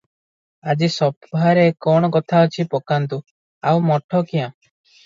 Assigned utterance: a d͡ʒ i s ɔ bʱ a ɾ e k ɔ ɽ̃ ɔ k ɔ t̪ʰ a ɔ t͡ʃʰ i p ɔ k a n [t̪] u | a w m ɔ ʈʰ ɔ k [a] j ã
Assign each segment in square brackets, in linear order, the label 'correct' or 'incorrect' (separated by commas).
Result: correct, incorrect